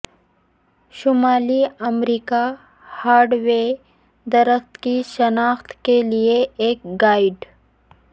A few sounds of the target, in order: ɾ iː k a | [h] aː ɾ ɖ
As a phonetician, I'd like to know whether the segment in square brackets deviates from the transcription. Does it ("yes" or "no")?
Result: no